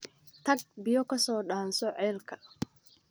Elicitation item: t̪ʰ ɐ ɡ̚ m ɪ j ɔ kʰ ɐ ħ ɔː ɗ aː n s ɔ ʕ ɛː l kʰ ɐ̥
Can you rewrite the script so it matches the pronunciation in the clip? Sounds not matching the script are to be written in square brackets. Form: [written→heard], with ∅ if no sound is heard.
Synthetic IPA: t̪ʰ ɐ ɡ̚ [m→b] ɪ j ɔ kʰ ɐ [ħ→s] ɔː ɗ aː n s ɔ ʕ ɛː l kʰ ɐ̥